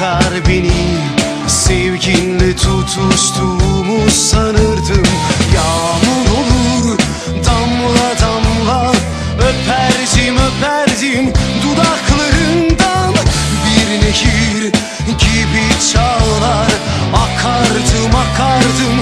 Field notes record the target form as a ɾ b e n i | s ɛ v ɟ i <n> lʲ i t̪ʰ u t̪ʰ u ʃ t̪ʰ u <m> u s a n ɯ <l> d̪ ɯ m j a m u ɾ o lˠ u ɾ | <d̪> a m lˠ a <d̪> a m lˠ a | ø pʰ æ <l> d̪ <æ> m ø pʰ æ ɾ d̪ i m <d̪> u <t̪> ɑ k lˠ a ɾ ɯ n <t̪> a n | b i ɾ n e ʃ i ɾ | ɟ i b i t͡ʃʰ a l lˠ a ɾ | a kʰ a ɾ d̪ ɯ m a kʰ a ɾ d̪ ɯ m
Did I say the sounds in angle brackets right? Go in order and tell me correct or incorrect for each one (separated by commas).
correct, correct, incorrect, correct, correct, incorrect, incorrect, correct, incorrect, incorrect